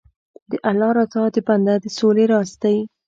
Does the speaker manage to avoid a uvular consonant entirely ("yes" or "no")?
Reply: yes